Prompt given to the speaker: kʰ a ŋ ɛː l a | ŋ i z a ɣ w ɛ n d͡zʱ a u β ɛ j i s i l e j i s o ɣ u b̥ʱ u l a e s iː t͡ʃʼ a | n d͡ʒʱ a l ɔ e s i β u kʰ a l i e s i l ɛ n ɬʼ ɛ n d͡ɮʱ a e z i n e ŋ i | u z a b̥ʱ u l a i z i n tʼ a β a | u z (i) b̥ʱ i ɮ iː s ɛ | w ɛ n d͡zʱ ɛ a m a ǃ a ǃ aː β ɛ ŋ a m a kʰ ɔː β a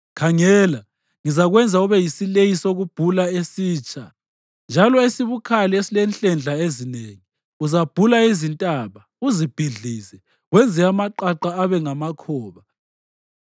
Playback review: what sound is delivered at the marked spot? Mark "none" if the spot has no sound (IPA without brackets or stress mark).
i